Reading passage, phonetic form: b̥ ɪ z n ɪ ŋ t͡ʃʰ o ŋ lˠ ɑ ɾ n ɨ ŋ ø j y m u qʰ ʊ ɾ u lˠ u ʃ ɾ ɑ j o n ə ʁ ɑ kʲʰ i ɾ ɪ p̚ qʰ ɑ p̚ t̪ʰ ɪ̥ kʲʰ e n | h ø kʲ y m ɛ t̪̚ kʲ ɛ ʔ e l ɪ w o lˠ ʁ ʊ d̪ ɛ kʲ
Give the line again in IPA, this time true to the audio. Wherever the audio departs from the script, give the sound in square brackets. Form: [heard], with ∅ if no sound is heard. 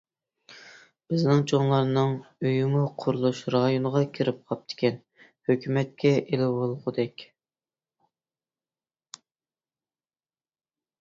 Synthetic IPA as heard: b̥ ɪ z n ɪ ŋ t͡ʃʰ o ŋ lˠ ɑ ɾ n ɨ ŋ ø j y m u qʰ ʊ ɾ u lˠ u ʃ ɾ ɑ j o n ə ʁ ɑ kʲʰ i ɾ ɪ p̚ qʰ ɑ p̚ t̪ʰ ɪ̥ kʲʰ [ɛ] n | h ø kʲ y m ɛ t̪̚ kʲ ɛ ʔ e l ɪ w o lˠ ʁ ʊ d̪ ɛ kʲ